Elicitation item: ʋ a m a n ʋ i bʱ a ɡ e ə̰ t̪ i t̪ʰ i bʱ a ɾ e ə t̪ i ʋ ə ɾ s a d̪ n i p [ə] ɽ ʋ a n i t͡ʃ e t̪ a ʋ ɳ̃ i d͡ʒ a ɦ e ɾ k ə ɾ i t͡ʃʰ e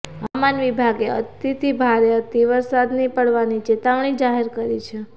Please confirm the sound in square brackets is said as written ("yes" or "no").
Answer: yes